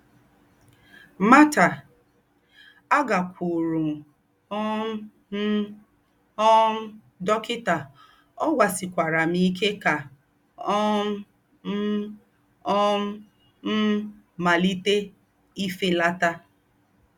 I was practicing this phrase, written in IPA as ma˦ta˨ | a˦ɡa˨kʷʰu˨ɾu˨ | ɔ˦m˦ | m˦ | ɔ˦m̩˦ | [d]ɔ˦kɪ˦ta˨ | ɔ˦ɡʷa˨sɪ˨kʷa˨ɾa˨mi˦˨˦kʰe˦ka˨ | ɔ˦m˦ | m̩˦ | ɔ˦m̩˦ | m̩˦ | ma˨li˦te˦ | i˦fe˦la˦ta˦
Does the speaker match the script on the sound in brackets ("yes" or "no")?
yes